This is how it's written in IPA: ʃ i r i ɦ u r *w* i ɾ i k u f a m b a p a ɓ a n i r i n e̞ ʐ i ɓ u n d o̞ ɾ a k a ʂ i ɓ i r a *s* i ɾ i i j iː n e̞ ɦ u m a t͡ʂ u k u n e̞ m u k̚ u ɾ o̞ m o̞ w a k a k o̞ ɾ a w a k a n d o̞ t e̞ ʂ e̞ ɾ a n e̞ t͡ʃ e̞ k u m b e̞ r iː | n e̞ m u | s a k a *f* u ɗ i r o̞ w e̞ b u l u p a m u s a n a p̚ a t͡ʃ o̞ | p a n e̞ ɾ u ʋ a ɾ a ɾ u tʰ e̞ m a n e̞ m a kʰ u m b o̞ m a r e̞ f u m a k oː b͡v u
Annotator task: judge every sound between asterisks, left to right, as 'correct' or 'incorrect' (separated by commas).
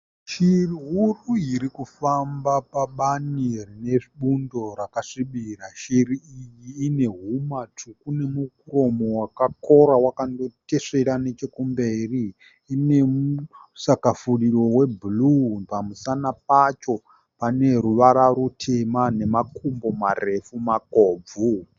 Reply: incorrect, incorrect, correct